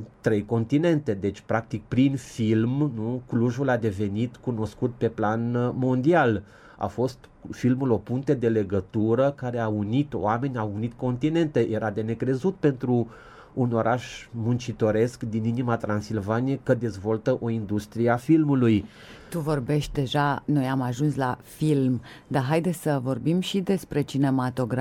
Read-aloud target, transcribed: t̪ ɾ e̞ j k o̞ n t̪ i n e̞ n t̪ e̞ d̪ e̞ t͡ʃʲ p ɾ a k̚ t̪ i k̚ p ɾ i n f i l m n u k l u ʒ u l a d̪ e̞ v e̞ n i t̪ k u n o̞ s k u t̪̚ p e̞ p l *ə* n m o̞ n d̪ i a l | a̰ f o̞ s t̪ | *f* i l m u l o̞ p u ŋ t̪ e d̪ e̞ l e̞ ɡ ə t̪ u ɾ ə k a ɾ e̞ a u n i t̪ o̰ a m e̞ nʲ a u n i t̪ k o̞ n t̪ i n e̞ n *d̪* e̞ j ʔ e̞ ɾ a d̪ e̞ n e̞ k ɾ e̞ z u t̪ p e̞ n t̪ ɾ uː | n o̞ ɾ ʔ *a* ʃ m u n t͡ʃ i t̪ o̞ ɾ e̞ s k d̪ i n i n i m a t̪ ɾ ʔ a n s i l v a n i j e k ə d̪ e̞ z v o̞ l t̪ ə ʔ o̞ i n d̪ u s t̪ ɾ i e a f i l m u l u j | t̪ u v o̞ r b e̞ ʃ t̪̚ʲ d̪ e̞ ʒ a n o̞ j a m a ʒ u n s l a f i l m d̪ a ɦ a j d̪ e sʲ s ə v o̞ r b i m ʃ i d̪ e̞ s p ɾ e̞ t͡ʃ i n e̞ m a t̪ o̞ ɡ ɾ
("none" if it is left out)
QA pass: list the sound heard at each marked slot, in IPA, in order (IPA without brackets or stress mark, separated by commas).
a, f, t̪, a